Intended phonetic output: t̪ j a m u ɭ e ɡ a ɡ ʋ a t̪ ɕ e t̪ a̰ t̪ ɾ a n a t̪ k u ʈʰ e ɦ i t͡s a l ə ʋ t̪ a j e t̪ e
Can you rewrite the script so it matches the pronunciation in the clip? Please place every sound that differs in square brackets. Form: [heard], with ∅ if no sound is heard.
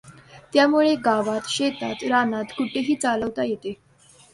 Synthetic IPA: t̪ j a m u ɭ e ɡ a [∅] ʋ a t̪ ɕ e t̪ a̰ t̪ ɾ a n a t̪ k u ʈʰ e ɦ [iː] t͡s a l ə ʋ t̪ a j e t̪ e

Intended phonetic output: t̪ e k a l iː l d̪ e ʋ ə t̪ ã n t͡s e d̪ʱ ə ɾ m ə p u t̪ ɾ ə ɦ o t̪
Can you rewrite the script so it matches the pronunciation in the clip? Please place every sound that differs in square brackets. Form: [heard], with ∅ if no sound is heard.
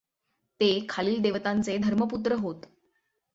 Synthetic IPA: t̪ e [kʰ] a l iː l d̪ e ʋ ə t̪ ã n t͡s e d̪ʱ ə ɾ m ə p u t̪ ɾ ə ɦ o t̪

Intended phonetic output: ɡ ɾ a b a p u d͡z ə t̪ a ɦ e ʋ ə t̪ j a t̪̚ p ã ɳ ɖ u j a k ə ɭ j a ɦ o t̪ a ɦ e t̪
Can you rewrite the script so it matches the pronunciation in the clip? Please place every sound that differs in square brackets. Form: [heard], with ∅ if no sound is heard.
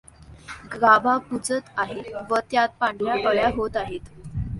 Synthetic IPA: ɡ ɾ a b a p u d͡z ə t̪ a ɦ e ʋ ə t̪ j a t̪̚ p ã ɳ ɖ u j a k ə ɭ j a ɦ o t̪ a ɦ e t̪

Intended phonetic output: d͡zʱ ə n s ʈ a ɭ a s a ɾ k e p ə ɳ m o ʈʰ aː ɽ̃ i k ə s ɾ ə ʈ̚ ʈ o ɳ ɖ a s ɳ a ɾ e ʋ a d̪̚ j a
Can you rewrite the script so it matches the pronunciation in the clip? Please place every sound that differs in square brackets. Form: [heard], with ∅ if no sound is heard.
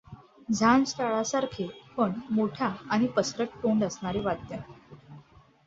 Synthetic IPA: d͡zʱ [a] n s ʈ a ɭ a s a ɾ [kʰ] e p ə ɳ m o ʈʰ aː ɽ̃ i [p] ə s ɾ ə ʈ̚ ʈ o ɳ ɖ [ə] s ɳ a ɾ e ʋ a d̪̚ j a

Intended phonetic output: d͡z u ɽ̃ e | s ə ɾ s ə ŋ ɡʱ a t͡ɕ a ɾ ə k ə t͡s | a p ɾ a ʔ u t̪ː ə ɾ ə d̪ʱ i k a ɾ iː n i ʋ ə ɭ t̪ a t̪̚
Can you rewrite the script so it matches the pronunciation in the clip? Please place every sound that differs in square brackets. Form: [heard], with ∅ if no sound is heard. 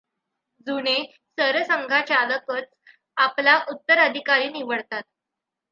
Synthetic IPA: d͡z u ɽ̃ e | s ə ɾ s ə ŋ ɡʱ a t͡ɕ a [l] ə k ə t͡s | a p [l] a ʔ u t̪ː ə ɾ ə d̪ʱ i k a ɾ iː n i ʋ ə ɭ t̪ a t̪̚

